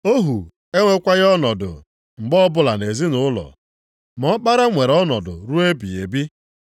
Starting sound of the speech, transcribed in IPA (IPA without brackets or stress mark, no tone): o